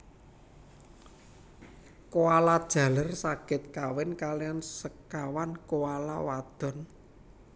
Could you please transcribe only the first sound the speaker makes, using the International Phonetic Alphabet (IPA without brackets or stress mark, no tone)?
k